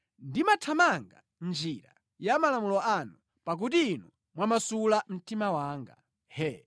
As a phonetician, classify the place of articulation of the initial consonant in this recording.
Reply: alveolar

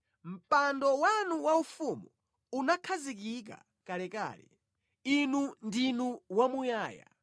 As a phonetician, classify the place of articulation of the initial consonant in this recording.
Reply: labial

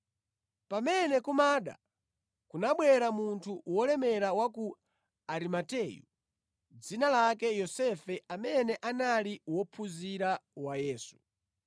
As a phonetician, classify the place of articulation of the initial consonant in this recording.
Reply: labial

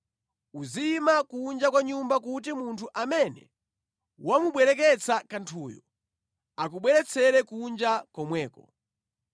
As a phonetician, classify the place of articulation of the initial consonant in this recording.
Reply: alveolar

